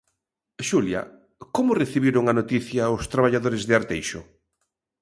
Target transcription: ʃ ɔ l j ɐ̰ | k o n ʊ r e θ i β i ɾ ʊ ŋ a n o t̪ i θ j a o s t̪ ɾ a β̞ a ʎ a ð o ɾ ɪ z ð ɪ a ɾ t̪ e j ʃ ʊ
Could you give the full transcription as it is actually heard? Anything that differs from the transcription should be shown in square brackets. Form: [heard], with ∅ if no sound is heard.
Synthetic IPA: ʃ [u] l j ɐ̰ | k o [m] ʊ r e θ i β i ɾ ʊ ŋ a n o t̪ i θ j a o s t̪ ɾ a β̞ a ʎ a ð o ɾ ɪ z ð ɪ a ɾ t̪ e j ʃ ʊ